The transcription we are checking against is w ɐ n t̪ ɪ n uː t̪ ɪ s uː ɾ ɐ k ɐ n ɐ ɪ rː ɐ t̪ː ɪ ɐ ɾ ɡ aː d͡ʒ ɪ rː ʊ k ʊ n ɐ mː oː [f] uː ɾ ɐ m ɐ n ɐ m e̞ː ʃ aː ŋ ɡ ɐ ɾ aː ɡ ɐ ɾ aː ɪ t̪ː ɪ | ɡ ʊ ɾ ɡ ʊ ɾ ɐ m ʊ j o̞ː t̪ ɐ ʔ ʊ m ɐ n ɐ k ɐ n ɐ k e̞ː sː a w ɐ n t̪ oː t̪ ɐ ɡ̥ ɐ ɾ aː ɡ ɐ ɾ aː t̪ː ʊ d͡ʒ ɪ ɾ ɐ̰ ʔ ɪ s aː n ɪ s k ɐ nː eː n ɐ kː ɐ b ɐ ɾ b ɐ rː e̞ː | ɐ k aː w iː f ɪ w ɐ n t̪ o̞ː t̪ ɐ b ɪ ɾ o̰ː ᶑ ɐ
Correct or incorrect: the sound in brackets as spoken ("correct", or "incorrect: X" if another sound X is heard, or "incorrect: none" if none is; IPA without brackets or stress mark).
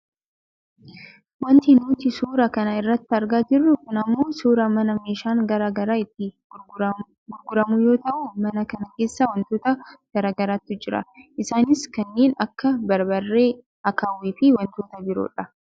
incorrect: s